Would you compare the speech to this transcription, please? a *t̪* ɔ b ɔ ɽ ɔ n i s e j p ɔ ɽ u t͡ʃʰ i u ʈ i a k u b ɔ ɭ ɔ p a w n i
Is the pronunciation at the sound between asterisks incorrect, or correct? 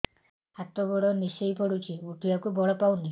correct